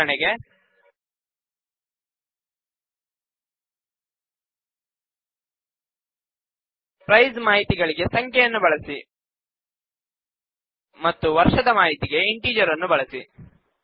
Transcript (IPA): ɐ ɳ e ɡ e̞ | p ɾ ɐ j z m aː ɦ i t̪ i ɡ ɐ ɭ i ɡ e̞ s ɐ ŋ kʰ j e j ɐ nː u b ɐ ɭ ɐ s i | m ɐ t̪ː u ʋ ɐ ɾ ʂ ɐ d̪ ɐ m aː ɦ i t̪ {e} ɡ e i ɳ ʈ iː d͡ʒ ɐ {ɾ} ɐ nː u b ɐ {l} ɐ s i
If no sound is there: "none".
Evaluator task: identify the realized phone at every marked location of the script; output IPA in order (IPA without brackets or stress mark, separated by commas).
i, ɾ, ɭ